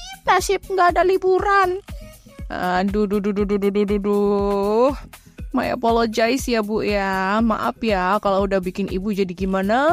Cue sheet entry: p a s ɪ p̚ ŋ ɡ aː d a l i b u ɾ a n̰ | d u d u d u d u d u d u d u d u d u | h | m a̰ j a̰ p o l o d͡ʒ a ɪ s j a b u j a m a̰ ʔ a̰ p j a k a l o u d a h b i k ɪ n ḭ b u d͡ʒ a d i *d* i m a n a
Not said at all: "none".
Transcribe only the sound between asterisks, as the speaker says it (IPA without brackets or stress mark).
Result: ɡ